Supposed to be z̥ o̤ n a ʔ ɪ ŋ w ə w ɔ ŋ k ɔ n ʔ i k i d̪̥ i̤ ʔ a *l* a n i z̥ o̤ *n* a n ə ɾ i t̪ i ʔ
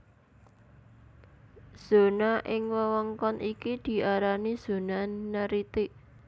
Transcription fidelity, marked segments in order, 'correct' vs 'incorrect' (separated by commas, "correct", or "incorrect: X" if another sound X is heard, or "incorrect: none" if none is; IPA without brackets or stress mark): incorrect: ɾ, correct